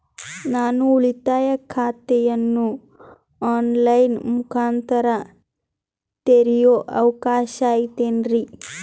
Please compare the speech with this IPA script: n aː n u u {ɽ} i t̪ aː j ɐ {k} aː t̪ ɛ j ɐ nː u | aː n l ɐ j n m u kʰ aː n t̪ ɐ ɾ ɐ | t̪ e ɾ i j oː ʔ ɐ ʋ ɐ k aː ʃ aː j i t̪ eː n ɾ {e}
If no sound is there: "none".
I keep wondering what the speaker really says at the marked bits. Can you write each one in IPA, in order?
ɭ, kʰ, i

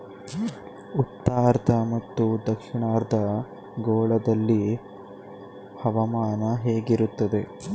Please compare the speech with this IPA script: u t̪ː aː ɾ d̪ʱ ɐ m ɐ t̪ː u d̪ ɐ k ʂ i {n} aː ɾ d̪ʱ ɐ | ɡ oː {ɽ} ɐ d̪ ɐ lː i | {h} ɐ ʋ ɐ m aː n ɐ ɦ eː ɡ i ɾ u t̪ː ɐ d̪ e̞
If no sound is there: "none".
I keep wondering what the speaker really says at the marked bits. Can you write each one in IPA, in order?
ɳ, ɭ, h

